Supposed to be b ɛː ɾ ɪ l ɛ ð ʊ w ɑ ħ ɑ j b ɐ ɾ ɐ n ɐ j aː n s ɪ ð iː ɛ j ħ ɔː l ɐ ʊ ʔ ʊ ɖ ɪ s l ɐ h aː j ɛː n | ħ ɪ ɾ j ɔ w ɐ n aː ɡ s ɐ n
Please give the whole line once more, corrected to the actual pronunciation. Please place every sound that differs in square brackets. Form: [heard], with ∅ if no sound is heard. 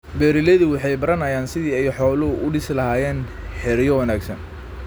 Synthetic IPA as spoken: b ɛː ɾ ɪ l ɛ ð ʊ w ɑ ħ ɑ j b ɐ ɾ ɐ n ɐ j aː n s ɪ ð iː ɛ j ħ ɔː l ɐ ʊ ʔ ʊ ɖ ɪ s l ɐ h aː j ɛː n | ħ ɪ ɾ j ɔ w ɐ n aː ɡ s ɐ n

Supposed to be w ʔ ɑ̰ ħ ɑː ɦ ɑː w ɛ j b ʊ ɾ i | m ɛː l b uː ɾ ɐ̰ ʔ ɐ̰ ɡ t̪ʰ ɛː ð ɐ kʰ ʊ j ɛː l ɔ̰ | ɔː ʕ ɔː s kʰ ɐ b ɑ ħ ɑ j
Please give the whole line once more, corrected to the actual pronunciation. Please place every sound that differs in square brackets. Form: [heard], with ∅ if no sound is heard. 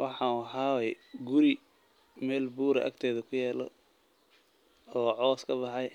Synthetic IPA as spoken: w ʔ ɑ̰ ħ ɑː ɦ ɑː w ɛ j [ɡ] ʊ ɾ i | m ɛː l b uː ɾ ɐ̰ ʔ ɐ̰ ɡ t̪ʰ ɛː ð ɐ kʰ ʊ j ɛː l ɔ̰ | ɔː ʕ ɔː s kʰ ɐ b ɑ ħ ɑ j

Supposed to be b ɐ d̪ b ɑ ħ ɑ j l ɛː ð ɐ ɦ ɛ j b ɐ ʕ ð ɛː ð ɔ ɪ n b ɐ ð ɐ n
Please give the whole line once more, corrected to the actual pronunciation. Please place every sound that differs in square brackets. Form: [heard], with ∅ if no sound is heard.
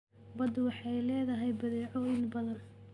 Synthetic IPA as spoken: b ɐ d̪ [w] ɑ ħ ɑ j l ɛː ð ɐ ɦ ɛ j b ɐ [∅] ð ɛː [ʕ] ɔ ɪ n b ɐ ð ɐ n

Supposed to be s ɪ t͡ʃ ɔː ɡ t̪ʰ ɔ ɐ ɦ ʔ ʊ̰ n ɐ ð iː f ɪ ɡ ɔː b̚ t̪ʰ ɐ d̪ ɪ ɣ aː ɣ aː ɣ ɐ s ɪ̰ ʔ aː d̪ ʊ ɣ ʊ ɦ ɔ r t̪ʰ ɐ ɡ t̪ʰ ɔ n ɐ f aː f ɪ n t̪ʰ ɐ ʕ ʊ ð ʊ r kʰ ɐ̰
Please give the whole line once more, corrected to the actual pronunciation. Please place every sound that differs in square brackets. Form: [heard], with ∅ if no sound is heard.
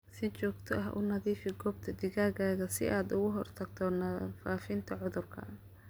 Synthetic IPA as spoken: s ɪ t͡ʃ ɔː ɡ t̪ʰ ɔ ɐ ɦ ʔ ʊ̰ n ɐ ð iː f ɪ ɡ ɔː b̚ t̪ʰ ɐ d̪ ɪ ɣ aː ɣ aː ɣ ɐ s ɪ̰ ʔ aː d̪ ʊ ɣ ʊ ɦ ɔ r t̪ʰ ɐ ɡ t̪ʰ ɔ n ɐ f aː f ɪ n t̪ʰ ɐ ʕ ʊ ð ʊ r kʰ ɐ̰

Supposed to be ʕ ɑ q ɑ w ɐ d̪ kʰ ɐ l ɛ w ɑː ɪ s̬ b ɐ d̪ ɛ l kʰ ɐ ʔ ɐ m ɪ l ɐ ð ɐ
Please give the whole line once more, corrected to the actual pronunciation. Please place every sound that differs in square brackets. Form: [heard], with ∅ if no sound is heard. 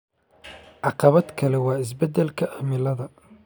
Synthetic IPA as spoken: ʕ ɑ q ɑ [β] ɐ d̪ kʰ ɐ l ɛ w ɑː ɪ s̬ b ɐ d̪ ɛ l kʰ ɐ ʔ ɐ m ɪ l ɐ ð ɐ

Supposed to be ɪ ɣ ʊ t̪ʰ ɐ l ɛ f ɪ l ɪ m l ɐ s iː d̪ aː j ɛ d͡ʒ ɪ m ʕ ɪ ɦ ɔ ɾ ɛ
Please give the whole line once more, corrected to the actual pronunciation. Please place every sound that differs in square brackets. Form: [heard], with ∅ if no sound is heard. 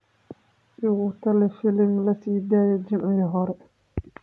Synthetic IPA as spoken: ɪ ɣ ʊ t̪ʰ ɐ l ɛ f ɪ l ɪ m l ɐ s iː d̪ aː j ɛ d͡ʒ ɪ m ʕ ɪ ɦ ɔ ɾ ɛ

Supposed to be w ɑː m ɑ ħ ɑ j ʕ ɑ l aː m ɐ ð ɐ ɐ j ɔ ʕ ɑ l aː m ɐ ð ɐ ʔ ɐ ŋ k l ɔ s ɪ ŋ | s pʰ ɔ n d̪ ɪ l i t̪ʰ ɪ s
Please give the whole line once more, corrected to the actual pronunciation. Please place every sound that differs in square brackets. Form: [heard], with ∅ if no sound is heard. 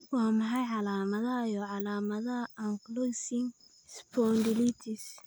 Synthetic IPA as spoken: w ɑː m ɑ ħ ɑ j ʕ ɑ l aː m ɐ ð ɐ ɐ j ɔ ʕ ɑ l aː m ɐ ð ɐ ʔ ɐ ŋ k l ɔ s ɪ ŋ | s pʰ ɔ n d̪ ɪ l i t̪ʰ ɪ s

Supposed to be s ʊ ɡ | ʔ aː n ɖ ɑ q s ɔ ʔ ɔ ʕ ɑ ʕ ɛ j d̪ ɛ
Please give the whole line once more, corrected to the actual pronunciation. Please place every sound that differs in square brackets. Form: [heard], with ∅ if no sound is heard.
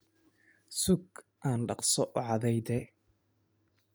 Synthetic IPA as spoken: s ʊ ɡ | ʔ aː n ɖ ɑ q s ɔ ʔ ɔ ʕ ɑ [ð] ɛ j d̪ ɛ

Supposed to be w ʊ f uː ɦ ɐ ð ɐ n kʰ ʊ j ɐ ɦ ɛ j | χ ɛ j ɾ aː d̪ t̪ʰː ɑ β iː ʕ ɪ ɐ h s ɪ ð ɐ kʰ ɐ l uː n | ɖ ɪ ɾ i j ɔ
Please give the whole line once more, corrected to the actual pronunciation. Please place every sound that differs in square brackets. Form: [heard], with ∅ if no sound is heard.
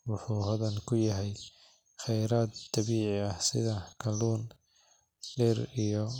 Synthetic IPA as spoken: w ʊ [ħ] uː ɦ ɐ ð ɐ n kʰ ʊ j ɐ ɦ ɛ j | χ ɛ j ɾ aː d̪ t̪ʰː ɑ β iː ʕ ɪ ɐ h s ɪ ð ɐ kʰ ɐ l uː n | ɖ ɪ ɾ i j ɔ

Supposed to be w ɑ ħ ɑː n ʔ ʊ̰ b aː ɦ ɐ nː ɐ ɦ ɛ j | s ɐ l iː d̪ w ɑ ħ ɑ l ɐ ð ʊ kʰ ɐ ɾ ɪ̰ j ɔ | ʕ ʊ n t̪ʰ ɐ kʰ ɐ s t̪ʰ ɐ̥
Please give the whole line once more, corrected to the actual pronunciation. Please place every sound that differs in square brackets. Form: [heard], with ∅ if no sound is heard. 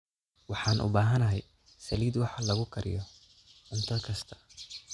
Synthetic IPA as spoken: w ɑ ħ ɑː n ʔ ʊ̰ b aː ɦ ɐ [n] ɐ ɦ ɛ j | s ɐ l iː d̪ w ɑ ħ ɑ l ɐ [ɣ] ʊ kʰ ɐ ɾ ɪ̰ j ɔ | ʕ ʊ n t̪ʰ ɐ kʰ ɐ s t̪ʰ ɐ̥

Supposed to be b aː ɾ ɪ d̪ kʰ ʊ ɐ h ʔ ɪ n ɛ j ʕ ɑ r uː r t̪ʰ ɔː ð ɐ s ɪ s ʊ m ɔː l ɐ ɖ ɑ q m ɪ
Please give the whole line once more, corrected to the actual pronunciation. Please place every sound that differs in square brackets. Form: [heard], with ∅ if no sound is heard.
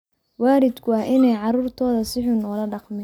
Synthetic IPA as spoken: [w] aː ɾ ɪ d̪ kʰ ʊ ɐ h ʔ ɪ n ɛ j ʕ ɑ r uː r t̪ʰ ɔː ð ɐ s ɪ [ħ] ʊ [n] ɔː l ɐ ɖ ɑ q m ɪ

